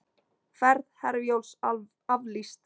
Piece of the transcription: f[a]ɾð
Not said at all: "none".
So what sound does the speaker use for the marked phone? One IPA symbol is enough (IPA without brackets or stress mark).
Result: ɛ